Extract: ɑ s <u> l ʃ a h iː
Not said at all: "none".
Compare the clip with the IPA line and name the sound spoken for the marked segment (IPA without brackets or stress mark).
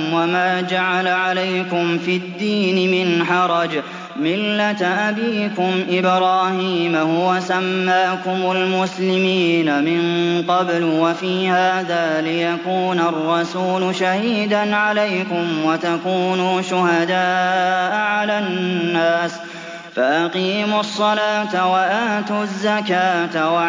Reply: uː